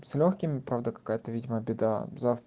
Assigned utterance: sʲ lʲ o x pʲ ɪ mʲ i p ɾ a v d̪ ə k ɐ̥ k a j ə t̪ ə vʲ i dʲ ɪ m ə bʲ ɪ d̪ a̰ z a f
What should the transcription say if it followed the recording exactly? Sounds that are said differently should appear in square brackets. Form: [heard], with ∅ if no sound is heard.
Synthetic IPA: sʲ lʲ o x [kʲ] ɪ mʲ [ɪ] p ɾ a v d̪ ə k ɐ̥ k a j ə t̪ ə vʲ i dʲ ɪ m ə bʲ ɪ d̪ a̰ z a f